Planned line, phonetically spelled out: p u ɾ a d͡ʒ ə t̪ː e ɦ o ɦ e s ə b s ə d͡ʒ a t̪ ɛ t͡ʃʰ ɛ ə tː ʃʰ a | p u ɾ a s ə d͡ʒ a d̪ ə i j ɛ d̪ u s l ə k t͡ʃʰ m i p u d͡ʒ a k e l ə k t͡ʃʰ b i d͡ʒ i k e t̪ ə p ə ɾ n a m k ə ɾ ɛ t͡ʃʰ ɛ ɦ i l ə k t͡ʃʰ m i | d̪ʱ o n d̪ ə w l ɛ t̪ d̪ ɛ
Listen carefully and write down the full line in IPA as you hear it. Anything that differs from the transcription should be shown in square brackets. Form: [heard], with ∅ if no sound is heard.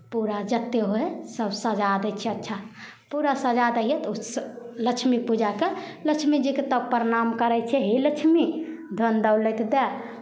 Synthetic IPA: p u ɾ a d͡ʒ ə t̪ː e ɦ o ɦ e s ə b s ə d͡ʒ a [d̪] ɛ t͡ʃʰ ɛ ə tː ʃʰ a | p u ɾ a s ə d͡ʒ a d̪ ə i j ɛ [t̪] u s l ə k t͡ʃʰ m i p u d͡ʒ a k e l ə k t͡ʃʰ [m] i d͡ʒ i k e t̪ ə p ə ɾ n a m k ə ɾ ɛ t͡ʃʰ ɛ ɦ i l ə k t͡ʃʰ m i | d̪ʱ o n d̪ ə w l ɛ t̪ d̪ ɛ

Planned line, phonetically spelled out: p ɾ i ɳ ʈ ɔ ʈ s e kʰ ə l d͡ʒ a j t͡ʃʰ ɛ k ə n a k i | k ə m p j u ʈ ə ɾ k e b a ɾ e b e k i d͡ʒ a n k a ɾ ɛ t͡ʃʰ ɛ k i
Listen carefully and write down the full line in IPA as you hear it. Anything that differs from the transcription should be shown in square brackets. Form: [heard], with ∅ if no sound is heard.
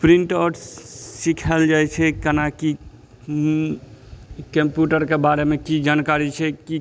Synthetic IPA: p ɾ i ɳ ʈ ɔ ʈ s [i] kʰ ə l d͡ʒ a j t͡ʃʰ ɛ k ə n a k i | k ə m p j u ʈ ə ɾ k e b a ɾ e [m] e k i d͡ʒ a n k a ɾ [i] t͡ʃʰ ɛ k i

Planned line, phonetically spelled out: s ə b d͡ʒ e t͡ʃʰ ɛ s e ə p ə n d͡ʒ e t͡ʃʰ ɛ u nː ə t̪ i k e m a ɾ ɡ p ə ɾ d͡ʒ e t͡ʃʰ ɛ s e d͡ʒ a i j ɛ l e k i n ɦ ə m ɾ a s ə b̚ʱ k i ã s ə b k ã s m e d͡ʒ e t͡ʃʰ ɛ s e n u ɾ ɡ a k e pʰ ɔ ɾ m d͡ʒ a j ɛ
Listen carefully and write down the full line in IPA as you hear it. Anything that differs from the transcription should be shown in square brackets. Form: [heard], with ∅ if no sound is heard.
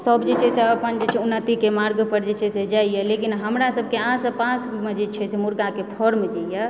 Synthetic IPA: s ə b d͡ʒ e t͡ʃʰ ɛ s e ə p ə n d͡ʒ e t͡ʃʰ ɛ u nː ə t̪ i k e m a ɾ ɡ p ə ɾ d͡ʒ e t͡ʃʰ ɛ s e d͡ʒ a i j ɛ l e k i n ɦ ə m ɾ a s ə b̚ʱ k [e] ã s ə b [p] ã s m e d͡ʒ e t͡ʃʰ ɛ s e [m] u ɾ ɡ a k e pʰ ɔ ɾ m d͡ʒ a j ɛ

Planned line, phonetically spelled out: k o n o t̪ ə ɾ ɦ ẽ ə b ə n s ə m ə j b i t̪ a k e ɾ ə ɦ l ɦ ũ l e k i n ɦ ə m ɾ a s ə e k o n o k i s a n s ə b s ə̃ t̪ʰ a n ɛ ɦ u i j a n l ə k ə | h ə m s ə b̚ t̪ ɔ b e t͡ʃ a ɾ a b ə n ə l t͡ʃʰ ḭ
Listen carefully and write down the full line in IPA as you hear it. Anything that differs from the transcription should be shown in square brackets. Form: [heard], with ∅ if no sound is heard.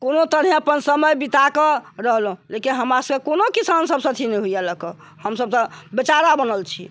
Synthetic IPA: k o n o t̪ ə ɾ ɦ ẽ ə [p] ə n s ə m ə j b i t̪ a k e ɾ ə ɦ l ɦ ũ l e k i n ɦ ə m ɾ a s ə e k o n o k i s a n s ə b s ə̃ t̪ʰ [i] n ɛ ɦ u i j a [∅] l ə k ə | h ə m s ə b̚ t̪ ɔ b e t͡ʃ a ɾ a b ə n ə l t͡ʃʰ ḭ

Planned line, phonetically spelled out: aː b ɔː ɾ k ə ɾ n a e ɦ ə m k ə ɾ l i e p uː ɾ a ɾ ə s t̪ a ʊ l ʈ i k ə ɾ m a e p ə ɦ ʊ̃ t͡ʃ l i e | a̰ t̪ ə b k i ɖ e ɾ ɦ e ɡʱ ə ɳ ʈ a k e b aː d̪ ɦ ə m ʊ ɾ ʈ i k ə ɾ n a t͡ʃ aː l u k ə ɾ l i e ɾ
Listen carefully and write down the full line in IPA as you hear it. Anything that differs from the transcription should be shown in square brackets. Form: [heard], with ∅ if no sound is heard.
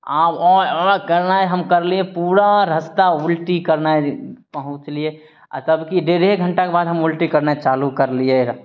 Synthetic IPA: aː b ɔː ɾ k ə ɾ n a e ɦ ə m k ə ɾ l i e p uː ɾ a ɾ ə s t̪ a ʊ l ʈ i k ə ɾ [n] a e p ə ɦ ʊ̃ t͡ʃ l i e | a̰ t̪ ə b k i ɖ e ɾ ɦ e ɡʱ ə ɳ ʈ a k e b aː d̪ ɦ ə m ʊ [l] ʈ i k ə ɾ n a t͡ʃ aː l u k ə ɾ l i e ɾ

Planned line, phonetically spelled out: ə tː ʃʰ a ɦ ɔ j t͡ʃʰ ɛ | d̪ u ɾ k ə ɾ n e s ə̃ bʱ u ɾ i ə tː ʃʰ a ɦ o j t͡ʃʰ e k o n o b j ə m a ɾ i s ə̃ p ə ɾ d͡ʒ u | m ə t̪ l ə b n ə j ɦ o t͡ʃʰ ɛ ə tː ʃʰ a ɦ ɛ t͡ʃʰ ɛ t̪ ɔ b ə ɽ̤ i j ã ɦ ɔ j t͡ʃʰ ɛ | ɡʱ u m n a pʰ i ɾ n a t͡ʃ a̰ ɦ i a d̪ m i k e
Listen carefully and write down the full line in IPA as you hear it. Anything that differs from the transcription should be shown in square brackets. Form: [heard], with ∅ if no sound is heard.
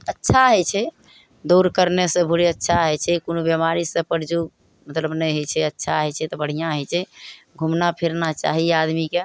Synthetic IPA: ə tː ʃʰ a ɦ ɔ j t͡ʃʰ ɛ | d̪ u ɾ k ə ɾ n e s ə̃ bʱ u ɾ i ə tː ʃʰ a ɦ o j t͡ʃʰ [ɛ] k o n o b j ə m a ɾ i s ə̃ p ə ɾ d͡ʒ u | m ə t̪ l ə b n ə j ɦ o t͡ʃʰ ɛ ə tː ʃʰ a ɦ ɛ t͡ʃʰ ɛ t̪ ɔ b ə ɽ̤ i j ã ɦ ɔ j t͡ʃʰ ɛ | ɡʱ u m n a pʰ i ɾ n a t͡ʃ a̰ ɦ i a d̪ m i k e

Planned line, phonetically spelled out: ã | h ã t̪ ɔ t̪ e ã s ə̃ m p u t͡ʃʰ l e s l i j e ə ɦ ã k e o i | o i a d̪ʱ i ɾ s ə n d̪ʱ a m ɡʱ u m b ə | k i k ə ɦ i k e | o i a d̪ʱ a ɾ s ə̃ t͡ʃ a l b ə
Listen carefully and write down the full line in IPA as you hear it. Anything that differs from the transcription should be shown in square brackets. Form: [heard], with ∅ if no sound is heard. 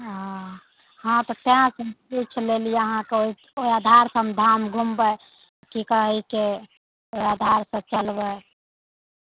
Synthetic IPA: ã | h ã t̪ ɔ t̪ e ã s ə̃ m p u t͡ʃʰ l e [∅] l i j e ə ɦ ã k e o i | o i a d̪ʱ [a] ɾ s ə [m] d̪ʱ a m ɡʱ u m b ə | k i k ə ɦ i k e | o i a d̪ʱ a ɾ s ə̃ t͡ʃ [ə] l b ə

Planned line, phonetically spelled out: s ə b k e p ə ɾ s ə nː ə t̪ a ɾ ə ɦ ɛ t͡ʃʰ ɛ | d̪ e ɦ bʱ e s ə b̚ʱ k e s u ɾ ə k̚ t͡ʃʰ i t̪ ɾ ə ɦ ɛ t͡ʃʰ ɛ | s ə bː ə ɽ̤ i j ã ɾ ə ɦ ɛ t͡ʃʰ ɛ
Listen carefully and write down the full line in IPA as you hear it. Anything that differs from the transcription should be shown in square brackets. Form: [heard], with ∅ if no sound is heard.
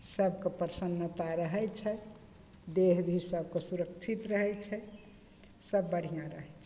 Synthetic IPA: s ə b k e p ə ɾ s ə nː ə t̪ a ɾ ə ɦ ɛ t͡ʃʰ ɛ | d̪ e ɦ bʱ [i] s ə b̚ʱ k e s u ɾ ə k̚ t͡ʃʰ i t̪ ɾ ə ɦ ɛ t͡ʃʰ ɛ | s ə bː ə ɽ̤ i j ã ɾ ə ɦ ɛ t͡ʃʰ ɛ

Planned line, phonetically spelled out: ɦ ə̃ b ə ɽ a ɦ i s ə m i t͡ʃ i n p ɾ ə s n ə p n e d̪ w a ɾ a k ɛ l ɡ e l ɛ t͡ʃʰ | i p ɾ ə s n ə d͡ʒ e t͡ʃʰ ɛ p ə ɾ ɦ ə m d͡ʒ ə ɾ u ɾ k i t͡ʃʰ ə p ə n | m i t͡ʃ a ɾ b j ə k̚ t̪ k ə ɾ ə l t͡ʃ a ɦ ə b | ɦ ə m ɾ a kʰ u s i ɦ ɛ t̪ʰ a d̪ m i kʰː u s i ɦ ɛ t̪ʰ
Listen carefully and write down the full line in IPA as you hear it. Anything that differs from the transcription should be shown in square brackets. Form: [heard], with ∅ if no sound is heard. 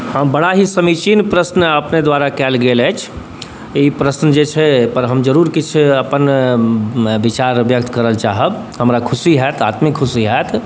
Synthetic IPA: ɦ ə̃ b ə ɽ a ɦ i s ə m i t͡ʃ i n p ɾ ə s n ə p n e d̪ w a ɾ a k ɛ l ɡ e l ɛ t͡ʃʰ | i p ɾ ə s n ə d͡ʒ e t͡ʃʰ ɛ p ə ɾ ɦ ə m d͡ʒ ə ɾ u ɾ k i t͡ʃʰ ə p ə n | [b] i t͡ʃ a ɾ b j ə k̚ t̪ k ə ɾ ə l t͡ʃ a ɦ ə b | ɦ ə m ɾ a kʰ u s i ɦ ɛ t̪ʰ a [t̪] m i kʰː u s i ɦ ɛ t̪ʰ

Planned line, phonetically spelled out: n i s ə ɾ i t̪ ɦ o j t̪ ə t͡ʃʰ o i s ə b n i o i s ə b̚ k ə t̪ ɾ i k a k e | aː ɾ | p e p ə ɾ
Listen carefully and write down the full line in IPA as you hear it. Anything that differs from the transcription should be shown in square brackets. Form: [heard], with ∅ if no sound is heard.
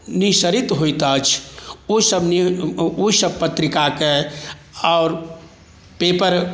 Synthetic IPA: n i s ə ɾ i t̪ ɦ o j t̪ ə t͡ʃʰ o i s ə b n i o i s ə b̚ [p] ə t̪ ɾ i k a k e | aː ɾ | p e p ə ɾ

